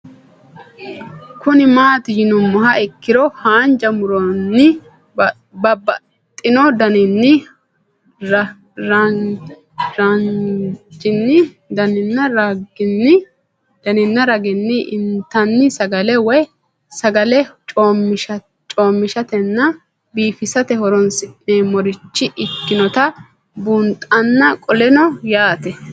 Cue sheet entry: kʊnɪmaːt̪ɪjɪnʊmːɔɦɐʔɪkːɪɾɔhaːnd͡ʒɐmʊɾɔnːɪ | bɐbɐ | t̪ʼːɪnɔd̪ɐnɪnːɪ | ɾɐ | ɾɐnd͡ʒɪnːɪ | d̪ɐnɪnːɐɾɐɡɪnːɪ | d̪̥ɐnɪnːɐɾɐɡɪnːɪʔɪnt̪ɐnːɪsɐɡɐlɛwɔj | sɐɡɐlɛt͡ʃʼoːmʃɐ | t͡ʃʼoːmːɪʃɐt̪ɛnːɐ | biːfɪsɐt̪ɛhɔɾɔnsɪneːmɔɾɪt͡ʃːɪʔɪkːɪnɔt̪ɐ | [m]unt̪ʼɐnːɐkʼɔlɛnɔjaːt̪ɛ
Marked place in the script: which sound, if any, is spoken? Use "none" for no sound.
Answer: b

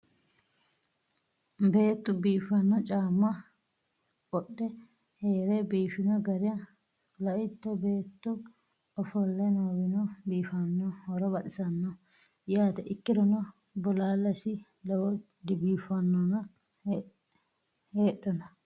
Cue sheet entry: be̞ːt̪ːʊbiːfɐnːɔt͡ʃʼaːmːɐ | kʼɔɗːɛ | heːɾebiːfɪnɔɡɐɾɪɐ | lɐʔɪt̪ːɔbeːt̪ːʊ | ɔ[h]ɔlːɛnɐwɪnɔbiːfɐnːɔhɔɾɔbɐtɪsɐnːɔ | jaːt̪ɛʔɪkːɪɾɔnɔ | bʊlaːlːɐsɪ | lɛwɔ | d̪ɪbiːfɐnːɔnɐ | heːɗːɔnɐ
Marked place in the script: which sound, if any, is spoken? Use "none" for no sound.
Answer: f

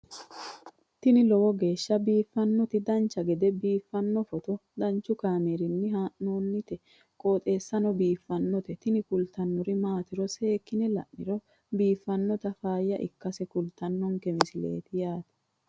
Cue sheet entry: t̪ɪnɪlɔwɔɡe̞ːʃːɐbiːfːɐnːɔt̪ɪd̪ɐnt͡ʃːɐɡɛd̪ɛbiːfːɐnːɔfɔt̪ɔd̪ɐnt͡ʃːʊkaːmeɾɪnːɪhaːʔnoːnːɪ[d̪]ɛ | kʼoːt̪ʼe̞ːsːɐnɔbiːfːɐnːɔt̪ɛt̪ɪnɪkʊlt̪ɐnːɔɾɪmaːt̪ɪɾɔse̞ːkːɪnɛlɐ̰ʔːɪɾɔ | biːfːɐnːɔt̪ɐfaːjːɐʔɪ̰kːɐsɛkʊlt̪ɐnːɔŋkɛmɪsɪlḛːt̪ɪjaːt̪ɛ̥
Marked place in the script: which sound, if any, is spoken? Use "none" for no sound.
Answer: t̪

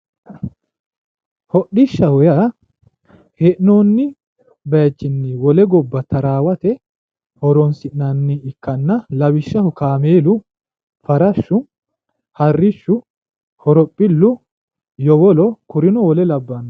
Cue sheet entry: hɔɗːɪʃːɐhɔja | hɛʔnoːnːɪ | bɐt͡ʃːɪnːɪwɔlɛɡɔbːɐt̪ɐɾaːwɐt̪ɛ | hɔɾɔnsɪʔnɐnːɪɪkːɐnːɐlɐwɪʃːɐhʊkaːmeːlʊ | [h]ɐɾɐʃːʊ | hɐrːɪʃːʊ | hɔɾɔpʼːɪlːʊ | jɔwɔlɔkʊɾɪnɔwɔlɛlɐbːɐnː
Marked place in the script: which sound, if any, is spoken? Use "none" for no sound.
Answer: f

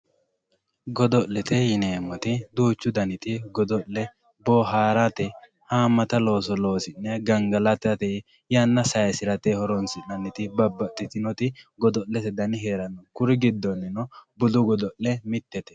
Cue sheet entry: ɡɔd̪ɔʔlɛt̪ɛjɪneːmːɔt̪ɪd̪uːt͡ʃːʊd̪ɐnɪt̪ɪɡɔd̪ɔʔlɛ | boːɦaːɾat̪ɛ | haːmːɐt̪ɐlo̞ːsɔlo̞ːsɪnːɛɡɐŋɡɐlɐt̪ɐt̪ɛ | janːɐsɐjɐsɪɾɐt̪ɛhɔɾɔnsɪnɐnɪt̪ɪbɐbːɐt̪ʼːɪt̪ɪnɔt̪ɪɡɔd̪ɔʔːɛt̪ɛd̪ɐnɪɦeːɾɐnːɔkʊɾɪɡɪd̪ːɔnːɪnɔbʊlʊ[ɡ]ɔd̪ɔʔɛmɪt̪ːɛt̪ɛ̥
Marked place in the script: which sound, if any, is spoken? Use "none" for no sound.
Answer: ɡ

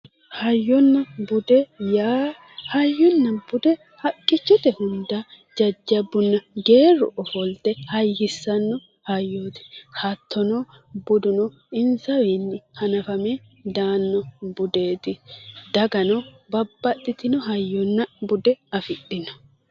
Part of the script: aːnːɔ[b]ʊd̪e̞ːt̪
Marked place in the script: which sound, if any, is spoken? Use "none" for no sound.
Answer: b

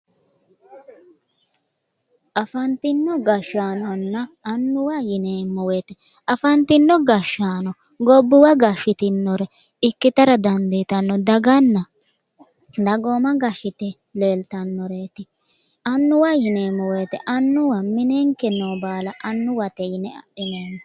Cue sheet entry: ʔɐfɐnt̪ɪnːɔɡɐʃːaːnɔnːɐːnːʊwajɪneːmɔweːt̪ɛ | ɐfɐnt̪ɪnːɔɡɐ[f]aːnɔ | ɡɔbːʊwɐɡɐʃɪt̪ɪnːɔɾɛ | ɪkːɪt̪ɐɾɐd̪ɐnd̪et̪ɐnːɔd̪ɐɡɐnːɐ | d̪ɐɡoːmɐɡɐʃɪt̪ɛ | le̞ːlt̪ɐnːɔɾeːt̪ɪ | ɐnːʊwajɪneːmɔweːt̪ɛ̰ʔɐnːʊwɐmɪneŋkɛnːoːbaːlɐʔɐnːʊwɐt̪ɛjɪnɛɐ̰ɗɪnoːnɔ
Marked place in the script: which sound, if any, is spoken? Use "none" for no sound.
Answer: ʃ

